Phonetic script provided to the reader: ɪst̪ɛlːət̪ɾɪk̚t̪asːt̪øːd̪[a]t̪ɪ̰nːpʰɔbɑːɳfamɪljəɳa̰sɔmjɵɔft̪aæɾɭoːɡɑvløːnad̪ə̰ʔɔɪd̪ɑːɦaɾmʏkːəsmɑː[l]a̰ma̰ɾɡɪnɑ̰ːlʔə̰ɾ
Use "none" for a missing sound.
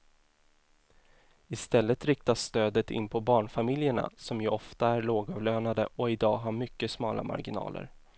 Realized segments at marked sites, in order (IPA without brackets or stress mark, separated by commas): ə, l